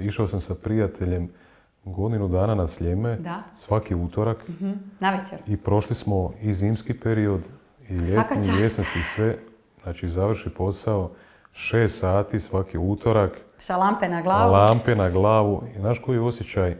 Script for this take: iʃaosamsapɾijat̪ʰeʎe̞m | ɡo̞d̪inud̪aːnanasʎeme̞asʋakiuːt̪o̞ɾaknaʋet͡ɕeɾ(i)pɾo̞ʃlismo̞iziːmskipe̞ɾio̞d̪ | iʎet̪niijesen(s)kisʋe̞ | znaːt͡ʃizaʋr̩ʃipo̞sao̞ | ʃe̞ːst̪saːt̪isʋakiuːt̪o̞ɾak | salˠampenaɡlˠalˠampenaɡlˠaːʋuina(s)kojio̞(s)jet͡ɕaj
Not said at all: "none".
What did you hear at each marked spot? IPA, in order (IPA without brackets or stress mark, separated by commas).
i, s, ʃ, s